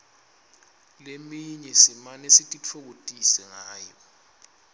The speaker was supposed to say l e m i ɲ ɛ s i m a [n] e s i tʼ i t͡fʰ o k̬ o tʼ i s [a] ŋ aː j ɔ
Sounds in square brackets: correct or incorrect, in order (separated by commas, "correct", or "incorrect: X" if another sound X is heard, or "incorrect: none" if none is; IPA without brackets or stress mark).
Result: correct, incorrect: ɛ